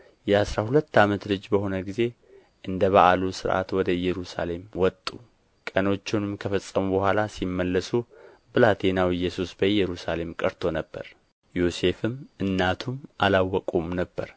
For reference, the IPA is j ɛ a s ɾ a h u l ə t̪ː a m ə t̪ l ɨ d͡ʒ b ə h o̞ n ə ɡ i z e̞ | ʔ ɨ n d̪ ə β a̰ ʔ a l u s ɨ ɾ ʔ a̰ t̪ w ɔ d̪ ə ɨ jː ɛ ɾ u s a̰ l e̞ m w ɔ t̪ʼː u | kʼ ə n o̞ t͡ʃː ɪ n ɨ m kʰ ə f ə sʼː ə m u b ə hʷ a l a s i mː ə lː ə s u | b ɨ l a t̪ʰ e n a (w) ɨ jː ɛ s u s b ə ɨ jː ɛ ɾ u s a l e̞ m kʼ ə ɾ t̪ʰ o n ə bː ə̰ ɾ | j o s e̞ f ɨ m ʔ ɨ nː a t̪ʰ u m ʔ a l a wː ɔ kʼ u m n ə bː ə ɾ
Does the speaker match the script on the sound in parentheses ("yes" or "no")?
yes